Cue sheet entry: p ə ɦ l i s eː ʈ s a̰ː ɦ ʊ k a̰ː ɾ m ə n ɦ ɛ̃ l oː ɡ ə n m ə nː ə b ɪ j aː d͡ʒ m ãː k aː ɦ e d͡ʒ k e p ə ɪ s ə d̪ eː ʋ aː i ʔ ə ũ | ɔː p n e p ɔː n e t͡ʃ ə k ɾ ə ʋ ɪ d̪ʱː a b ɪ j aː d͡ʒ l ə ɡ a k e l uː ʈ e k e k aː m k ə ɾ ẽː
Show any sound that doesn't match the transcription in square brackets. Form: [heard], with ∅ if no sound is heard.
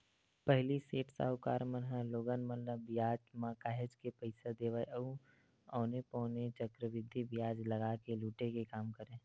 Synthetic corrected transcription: p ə ɦ l i s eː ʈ s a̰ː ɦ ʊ k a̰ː ɾ m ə n ɦ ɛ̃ l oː ɡ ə n m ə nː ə b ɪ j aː d͡ʒ m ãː k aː ɦ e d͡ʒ k e p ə ɪ s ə d̪ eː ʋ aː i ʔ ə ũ | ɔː [∅] n e p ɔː n e t͡ʃ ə k ɾ ə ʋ ɪ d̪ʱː [i] b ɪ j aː d͡ʒ l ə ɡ a k e l uː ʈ e k e k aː m k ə ɾ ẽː